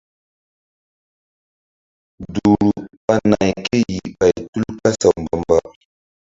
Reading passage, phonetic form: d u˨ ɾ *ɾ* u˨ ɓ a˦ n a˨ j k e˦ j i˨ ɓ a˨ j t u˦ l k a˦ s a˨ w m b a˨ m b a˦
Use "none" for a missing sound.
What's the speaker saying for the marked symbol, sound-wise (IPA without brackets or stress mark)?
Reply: ɾ